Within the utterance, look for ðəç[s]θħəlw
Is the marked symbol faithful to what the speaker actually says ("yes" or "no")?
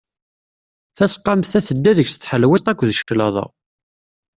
yes